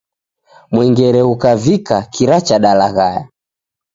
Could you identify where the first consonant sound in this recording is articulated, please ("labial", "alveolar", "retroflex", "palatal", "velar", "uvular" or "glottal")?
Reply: labial